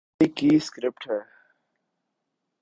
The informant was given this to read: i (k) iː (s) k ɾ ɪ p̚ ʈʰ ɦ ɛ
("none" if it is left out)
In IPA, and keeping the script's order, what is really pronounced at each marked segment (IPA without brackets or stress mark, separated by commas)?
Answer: k, s